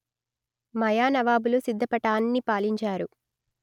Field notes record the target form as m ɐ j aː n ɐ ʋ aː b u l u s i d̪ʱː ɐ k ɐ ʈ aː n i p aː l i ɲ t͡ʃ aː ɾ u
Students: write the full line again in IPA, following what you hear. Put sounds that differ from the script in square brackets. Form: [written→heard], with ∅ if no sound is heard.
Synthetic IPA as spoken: m ɐ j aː n ɐ ʋ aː b u l u s i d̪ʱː ɐ [k→p] ɐ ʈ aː [n→nː] i p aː l i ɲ t͡ʃ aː ɾ u